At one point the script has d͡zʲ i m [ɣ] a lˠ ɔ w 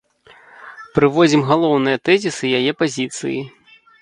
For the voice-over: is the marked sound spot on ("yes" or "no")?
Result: yes